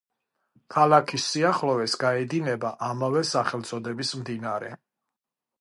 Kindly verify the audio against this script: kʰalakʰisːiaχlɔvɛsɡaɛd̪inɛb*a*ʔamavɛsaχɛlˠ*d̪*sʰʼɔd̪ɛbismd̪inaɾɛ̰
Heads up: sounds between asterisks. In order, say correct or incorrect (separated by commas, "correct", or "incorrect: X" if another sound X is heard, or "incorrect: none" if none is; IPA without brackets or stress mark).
correct, incorrect: t̪